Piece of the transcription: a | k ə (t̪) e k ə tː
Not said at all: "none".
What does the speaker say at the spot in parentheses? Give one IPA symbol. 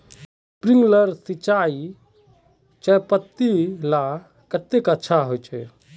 t̪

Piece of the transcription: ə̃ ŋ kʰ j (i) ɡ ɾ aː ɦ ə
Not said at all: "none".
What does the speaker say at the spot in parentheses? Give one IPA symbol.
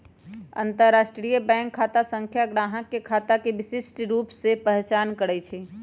a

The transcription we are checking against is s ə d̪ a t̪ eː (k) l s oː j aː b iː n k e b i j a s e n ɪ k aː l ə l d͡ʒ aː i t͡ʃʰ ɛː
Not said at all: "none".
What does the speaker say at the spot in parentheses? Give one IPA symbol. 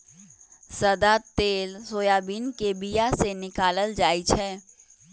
none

